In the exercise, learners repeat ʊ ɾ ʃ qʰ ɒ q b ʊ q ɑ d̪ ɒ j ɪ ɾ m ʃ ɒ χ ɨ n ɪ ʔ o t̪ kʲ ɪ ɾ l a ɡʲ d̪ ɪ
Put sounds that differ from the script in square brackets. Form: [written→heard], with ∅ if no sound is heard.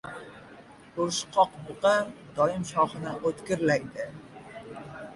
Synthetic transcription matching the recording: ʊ ɾ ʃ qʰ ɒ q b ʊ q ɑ d̪ ɒ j ɪ [ɾ→∅] m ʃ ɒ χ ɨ n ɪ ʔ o t̪ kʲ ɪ ɾ l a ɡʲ d̪ ɪ